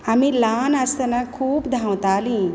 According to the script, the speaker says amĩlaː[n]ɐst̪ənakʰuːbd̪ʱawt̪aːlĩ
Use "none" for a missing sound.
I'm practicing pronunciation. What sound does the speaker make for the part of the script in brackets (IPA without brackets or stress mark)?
n